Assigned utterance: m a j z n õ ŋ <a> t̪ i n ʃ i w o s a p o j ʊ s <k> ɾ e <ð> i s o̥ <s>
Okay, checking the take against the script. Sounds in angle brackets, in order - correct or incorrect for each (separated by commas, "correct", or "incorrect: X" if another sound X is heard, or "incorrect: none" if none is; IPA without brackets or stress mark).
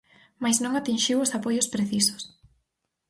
correct, incorrect: p, incorrect: θ, correct